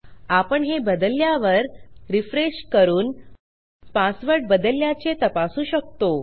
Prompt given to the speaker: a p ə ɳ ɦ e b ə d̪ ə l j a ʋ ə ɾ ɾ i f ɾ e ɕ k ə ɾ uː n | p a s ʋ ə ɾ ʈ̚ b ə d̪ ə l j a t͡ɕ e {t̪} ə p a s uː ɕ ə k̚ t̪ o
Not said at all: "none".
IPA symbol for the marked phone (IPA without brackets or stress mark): t̪